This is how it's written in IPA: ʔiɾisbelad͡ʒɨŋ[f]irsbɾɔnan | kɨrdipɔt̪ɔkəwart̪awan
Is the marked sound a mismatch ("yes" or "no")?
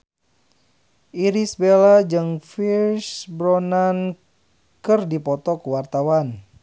no